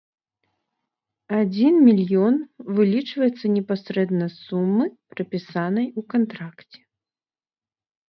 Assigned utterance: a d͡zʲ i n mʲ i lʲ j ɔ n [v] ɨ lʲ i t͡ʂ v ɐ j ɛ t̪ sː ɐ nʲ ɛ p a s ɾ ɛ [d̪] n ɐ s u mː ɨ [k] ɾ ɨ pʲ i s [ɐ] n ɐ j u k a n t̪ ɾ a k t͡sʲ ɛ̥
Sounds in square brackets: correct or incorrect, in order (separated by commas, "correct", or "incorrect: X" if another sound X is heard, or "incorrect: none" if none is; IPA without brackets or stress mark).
correct, correct, incorrect: p, incorrect: a